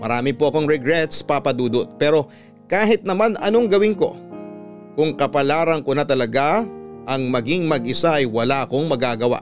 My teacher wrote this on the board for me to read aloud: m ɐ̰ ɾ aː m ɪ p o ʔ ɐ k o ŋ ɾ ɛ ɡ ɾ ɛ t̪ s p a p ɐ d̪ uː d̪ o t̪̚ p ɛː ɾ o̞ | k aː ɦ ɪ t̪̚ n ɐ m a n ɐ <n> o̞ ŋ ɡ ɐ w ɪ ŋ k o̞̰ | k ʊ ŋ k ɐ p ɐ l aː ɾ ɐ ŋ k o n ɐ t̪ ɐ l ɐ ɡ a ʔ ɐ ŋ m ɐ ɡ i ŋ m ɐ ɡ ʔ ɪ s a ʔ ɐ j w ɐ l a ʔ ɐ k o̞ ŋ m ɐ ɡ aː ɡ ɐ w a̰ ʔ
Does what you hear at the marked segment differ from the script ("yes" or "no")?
no